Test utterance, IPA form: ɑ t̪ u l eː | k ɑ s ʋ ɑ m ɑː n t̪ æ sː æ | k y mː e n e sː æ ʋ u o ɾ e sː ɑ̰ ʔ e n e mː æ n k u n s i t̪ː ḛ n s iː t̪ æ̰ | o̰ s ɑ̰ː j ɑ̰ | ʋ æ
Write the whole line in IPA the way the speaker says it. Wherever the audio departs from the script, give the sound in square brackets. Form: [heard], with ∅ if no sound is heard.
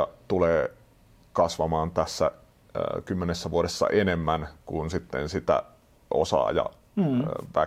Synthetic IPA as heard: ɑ t̪ u l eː | k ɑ s ʋ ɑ m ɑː n t̪ æ sː æ | k y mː e n e sː æ ʋ u o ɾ e sː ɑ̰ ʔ e n e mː æ n k u n s i t̪ː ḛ n s [i] t̪ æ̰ | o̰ s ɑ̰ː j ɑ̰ | ʋ æ